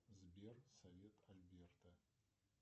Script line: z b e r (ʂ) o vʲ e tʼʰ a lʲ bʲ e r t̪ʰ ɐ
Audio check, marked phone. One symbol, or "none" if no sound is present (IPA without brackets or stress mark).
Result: s